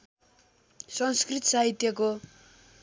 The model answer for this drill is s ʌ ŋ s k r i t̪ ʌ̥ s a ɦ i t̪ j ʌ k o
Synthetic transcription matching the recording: s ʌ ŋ s k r i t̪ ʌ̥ s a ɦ i t̪ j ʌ k o